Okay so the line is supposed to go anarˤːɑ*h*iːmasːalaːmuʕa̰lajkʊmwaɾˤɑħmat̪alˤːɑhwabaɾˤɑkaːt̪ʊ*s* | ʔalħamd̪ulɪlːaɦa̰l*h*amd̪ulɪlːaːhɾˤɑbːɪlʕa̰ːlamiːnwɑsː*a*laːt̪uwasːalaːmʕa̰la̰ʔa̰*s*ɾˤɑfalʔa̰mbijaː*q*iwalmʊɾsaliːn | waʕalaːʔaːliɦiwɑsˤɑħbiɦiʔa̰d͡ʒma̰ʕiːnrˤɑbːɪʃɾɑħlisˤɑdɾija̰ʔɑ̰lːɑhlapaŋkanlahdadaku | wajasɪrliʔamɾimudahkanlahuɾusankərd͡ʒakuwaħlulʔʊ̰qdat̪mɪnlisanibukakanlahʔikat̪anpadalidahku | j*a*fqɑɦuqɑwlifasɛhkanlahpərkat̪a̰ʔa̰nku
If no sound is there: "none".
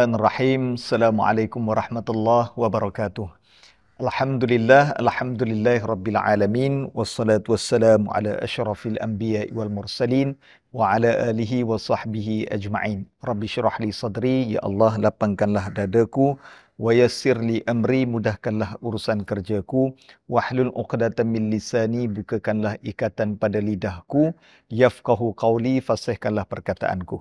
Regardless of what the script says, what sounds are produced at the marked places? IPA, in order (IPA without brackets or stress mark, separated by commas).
ħ, h, ħ, ɑ, ʃ, ʔ, a